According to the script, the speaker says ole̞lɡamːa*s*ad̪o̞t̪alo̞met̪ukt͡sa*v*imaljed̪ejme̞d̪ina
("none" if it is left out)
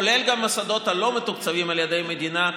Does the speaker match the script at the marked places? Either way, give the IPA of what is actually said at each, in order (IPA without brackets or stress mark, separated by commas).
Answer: s, v